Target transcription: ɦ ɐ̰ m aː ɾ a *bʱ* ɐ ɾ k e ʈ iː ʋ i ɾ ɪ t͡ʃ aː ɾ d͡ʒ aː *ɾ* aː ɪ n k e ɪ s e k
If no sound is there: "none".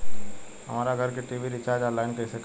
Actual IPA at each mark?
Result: ɡʱ, l

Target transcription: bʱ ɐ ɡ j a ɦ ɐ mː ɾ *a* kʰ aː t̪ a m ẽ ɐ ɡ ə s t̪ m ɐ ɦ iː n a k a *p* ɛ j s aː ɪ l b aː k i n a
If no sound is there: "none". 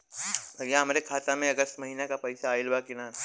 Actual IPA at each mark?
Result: e, p

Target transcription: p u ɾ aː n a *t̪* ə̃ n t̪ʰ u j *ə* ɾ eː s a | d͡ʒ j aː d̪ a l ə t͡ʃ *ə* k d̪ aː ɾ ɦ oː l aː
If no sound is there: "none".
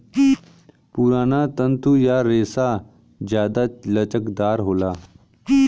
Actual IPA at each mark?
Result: t̪, a, ə

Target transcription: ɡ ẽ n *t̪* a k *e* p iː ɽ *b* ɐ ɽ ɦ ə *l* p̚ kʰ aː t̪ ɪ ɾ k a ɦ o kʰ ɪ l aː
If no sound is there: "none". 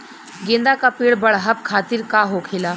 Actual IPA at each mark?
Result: d̪, a, b, none

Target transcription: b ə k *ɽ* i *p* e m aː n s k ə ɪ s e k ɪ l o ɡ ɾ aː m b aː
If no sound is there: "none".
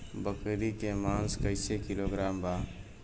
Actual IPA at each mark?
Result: ɾ, k

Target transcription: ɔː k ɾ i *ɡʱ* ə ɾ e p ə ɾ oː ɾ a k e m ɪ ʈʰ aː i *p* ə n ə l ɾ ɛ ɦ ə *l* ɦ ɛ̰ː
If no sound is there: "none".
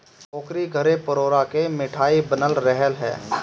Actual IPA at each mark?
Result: ɡʱ, b, l

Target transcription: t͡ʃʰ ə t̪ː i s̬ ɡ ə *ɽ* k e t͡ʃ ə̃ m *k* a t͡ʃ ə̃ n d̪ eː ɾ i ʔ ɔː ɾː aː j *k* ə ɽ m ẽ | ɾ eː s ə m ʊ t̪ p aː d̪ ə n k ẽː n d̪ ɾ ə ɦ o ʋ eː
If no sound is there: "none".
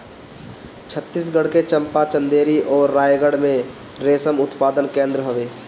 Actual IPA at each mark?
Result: ɽ, p, ɡ

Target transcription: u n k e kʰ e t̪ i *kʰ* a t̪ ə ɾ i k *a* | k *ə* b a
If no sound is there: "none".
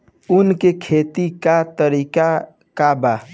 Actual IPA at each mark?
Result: k, a, a

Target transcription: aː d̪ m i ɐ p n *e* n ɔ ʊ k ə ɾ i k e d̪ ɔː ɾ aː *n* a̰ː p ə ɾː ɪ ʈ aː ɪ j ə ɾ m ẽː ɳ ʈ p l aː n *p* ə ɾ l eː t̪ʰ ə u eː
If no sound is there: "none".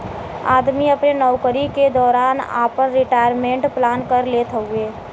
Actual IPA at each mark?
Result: e, n, k

